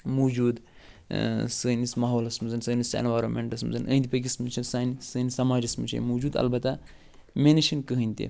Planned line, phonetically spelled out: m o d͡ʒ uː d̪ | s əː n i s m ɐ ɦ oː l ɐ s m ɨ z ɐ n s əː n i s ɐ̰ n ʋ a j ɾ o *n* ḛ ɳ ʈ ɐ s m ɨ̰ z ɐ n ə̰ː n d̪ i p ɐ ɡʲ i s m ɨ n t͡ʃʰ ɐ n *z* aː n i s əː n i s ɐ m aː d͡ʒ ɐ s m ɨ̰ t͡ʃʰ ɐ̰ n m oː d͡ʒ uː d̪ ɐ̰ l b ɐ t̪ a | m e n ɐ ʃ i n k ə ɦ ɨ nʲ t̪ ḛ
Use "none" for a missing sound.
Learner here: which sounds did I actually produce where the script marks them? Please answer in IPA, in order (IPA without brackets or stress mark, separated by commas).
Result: m, s